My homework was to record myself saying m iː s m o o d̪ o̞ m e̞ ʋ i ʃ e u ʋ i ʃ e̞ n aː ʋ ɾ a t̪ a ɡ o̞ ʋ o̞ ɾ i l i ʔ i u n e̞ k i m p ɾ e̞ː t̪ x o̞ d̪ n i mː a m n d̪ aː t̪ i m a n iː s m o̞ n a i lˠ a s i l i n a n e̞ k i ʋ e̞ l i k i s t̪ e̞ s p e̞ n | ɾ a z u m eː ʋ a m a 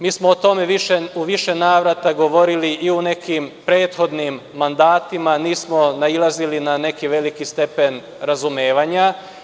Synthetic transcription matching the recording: m iː s m o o t̪ o̞ m e̞ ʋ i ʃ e u ʋ i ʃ e̞ n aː ʋ ɾ a t̪ a ɡ o̞ ʋ o̞ ɾ i l i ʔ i u n e̞ k i m p ɾ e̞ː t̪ x o̞ d̪ n i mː a n d̪ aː t̪ i m a n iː s m o̞ n a i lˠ a z i l i n a n e̞ k i ʋ e̞ l i k i s t̪ e̞ p e̞ n | ɾ a z u m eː ʋ a ɲ a